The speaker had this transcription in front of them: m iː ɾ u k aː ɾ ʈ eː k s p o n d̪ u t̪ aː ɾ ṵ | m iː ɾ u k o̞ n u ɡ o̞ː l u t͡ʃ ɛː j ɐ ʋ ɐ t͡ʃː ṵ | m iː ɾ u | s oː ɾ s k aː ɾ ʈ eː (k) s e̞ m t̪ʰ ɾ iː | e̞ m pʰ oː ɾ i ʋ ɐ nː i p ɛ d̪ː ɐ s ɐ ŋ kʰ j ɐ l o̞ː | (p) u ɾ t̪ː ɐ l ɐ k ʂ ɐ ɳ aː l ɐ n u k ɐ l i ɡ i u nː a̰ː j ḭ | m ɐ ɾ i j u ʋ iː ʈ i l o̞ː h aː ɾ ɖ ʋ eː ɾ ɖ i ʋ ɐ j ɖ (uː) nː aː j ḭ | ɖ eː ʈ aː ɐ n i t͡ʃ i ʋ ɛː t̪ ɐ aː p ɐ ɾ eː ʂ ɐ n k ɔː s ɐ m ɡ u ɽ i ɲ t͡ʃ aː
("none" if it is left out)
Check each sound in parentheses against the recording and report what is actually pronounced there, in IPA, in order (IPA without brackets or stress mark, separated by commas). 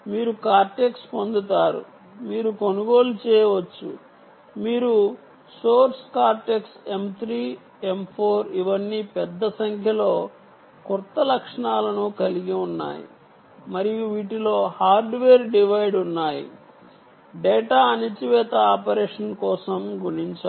k, k, u